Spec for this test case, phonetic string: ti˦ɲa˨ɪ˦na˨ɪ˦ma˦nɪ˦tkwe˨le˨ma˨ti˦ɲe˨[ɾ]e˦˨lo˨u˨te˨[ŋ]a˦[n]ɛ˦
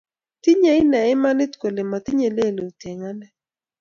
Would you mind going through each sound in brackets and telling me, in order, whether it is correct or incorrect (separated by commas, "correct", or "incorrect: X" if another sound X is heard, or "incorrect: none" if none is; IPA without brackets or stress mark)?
incorrect: l, correct, correct